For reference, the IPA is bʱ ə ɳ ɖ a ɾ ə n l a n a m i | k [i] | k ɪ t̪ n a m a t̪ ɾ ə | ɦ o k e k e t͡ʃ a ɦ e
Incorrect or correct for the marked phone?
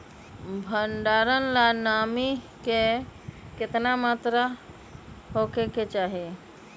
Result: incorrect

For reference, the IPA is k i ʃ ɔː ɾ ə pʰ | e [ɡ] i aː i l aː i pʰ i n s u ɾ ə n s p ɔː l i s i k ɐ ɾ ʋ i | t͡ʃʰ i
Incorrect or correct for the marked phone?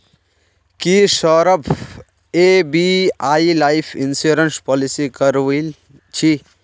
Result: incorrect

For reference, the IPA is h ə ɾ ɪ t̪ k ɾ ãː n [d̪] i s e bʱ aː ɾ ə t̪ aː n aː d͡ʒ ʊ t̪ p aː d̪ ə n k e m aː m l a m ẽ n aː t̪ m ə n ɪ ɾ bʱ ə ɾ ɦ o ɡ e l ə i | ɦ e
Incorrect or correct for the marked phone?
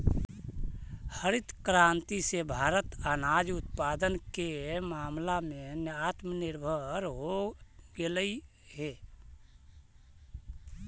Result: incorrect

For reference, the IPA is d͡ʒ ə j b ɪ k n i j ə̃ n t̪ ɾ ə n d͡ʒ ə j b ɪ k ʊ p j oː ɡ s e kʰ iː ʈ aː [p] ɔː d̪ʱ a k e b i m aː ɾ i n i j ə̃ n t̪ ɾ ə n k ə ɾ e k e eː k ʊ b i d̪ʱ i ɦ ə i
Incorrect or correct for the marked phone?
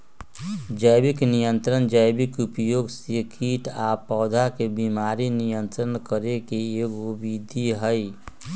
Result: correct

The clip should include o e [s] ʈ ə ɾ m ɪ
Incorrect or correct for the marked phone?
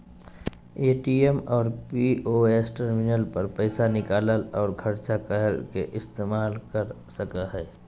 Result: correct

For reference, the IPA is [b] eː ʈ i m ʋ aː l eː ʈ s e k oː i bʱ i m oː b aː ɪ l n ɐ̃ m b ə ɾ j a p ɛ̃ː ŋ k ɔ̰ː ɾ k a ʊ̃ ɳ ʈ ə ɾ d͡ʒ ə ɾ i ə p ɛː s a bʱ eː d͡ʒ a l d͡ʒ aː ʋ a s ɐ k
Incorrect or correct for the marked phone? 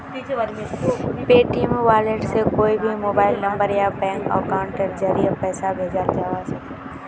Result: incorrect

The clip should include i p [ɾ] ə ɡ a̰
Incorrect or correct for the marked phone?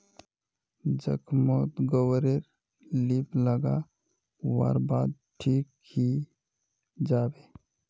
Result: incorrect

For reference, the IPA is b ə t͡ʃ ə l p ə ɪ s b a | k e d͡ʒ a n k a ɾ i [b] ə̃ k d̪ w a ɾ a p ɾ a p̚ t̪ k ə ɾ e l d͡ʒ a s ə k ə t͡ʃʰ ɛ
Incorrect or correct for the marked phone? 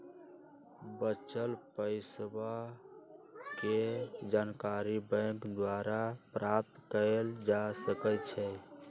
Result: correct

